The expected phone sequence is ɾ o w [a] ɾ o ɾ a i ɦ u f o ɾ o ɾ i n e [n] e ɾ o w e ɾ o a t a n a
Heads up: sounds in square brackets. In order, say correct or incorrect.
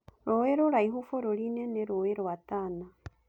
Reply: incorrect, correct

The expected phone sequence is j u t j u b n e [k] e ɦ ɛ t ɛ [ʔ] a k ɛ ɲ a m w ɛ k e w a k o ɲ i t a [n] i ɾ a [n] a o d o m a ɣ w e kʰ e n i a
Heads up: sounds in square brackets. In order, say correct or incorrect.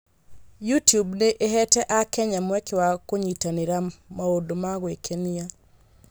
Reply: incorrect, correct, correct, incorrect

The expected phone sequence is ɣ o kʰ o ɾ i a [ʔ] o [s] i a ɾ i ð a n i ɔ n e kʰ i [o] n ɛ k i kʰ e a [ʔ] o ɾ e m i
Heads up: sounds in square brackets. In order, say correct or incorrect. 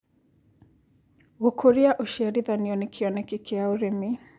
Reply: correct, incorrect, incorrect, incorrect

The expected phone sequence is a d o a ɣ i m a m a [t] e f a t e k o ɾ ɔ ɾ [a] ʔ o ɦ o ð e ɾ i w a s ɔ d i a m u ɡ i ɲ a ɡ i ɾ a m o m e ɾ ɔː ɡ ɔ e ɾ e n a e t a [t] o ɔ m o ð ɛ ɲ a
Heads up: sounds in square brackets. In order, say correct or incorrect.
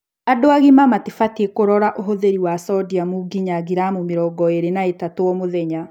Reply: correct, correct, correct

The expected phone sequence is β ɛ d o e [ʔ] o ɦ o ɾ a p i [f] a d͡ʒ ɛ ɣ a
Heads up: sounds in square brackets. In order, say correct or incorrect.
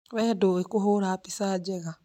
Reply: incorrect, incorrect

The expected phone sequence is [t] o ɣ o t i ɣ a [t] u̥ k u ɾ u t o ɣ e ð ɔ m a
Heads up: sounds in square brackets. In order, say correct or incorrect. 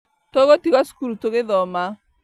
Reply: correct, incorrect

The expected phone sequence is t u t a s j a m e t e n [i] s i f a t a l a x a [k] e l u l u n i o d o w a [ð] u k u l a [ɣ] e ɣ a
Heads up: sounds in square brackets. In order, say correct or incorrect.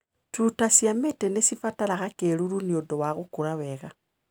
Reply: incorrect, correct, incorrect, incorrect

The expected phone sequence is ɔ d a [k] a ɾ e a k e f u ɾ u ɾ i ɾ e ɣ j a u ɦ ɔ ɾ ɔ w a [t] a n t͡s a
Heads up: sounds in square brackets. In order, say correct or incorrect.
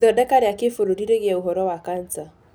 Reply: correct, incorrect

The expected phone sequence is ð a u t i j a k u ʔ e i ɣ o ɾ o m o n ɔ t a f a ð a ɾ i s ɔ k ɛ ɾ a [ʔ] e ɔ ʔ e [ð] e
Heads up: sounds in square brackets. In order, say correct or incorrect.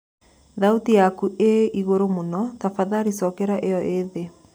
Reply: correct, correct

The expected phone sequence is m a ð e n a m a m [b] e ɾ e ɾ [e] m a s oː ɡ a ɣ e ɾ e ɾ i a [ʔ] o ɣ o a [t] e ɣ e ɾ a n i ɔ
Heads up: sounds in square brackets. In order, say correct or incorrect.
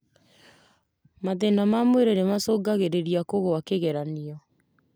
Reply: incorrect, correct, incorrect, incorrect

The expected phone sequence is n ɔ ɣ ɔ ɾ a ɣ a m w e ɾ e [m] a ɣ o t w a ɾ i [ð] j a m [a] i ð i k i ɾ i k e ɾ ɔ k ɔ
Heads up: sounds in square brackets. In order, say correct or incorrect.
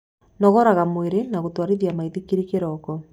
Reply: incorrect, correct, correct

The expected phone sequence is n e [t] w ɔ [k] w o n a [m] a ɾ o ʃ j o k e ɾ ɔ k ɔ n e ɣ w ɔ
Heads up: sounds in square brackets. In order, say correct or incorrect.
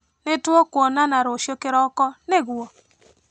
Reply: correct, correct, incorrect

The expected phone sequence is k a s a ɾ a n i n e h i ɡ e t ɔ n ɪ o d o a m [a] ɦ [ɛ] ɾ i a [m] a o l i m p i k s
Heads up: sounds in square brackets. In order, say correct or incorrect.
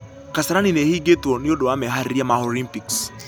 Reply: incorrect, incorrect, correct

